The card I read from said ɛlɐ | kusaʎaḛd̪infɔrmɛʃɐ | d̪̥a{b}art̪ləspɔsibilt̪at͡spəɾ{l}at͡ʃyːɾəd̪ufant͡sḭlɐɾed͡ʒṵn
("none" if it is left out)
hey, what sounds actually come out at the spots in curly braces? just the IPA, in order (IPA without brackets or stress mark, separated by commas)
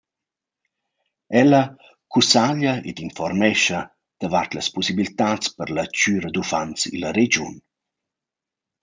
v, l